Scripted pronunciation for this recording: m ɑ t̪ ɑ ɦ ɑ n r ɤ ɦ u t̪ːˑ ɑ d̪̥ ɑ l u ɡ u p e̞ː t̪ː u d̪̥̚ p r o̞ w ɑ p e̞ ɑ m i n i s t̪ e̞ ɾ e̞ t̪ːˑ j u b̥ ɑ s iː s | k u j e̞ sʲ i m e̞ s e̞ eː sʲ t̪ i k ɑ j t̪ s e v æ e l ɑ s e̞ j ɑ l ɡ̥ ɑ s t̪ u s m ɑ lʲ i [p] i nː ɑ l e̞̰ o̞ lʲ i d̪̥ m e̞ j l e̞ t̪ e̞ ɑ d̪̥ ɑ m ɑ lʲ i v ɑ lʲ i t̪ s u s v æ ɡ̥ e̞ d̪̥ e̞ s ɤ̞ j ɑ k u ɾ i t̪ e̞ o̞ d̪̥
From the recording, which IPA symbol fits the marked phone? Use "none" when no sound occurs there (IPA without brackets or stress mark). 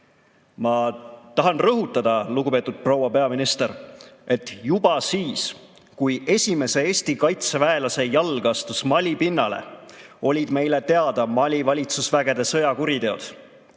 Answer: p